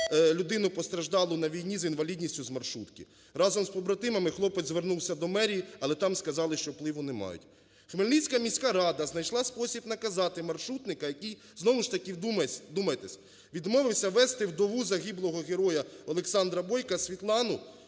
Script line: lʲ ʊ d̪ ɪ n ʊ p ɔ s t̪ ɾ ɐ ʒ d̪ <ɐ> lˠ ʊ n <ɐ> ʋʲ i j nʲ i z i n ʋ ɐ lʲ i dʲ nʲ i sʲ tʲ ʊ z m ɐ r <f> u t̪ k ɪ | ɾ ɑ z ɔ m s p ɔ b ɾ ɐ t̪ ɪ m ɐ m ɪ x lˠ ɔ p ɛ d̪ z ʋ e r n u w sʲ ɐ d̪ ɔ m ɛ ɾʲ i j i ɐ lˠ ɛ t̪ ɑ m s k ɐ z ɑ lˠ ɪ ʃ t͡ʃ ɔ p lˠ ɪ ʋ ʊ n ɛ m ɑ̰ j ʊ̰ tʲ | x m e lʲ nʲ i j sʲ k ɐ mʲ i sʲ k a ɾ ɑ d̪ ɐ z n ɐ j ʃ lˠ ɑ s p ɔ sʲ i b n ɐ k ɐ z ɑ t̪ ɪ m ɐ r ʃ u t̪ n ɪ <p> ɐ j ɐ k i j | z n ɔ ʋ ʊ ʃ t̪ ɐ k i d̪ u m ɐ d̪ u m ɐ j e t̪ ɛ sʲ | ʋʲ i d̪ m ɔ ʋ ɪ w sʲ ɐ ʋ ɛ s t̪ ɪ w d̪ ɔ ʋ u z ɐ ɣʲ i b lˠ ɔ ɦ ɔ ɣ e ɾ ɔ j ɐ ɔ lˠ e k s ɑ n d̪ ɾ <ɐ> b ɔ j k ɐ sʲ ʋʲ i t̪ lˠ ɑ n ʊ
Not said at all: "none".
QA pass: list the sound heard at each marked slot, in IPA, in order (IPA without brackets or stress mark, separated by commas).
ɑ, ɐ, ʃ, k, ɐ